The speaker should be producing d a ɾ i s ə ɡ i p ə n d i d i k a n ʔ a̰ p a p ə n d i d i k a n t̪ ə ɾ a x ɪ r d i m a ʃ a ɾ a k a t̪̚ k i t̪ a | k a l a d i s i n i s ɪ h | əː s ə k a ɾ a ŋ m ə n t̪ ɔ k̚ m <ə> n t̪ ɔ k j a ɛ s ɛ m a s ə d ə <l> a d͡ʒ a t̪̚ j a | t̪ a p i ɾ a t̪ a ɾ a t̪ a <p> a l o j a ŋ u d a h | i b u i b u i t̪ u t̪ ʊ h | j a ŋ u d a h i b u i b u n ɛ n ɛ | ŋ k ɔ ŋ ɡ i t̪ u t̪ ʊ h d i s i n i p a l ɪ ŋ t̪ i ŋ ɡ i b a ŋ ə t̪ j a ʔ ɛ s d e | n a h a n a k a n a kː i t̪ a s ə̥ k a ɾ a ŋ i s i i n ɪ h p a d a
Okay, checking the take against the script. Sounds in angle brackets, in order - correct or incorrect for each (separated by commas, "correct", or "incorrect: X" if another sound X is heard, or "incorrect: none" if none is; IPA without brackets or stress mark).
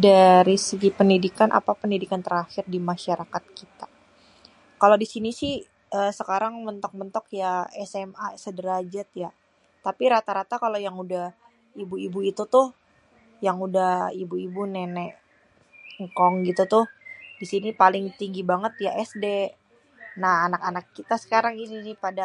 correct, incorrect: ɾ, incorrect: k